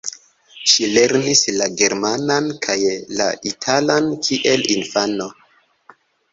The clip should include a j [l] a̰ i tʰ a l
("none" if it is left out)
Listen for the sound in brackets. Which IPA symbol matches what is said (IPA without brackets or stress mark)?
l